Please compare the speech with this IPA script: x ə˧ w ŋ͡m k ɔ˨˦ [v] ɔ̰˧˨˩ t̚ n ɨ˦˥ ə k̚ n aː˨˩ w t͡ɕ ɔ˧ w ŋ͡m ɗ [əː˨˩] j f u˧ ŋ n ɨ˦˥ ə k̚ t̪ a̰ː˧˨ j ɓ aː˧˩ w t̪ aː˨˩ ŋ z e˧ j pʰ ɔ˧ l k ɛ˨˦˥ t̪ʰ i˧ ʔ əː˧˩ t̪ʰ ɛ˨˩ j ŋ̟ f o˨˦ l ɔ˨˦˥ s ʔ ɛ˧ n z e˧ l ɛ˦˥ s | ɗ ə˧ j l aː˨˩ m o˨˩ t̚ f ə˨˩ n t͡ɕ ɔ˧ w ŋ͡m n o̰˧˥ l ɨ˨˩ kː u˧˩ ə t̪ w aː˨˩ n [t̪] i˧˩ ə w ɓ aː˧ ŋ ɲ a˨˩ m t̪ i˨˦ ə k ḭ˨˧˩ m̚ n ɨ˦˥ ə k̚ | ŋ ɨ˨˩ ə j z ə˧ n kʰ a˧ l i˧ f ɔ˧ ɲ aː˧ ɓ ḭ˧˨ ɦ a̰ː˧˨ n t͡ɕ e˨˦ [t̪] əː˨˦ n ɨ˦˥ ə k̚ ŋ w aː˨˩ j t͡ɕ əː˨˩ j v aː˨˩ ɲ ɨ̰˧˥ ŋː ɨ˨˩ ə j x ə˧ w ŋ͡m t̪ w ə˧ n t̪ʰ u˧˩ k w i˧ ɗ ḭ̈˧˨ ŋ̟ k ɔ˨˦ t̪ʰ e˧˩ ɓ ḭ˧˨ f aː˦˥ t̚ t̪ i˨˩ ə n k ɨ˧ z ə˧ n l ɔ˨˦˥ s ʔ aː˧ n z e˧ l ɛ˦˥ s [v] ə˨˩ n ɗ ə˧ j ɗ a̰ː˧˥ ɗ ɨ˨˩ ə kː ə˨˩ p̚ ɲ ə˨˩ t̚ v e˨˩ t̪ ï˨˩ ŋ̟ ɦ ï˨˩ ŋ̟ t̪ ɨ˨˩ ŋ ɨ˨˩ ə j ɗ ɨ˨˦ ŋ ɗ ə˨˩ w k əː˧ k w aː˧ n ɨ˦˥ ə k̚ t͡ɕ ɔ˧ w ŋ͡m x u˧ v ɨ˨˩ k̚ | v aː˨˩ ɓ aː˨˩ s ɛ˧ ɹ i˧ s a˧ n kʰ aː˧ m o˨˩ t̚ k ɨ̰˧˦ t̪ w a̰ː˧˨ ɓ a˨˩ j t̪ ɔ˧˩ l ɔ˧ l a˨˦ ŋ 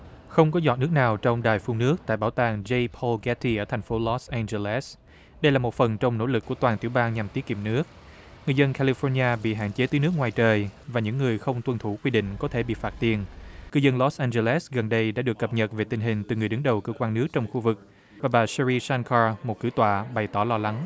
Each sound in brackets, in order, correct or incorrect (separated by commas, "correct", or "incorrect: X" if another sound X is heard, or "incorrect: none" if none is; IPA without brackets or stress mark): incorrect: z, incorrect: aː˨˩, correct, correct, incorrect: ɣ